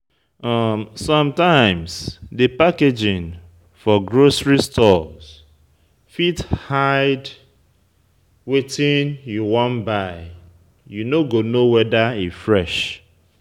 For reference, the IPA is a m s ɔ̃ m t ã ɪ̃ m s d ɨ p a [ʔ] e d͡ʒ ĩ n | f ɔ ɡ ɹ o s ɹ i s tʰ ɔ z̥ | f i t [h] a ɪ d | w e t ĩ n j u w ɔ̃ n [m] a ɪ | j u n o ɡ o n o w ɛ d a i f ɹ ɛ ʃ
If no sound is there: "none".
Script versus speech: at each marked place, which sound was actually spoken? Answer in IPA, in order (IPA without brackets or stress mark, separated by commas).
k, h, b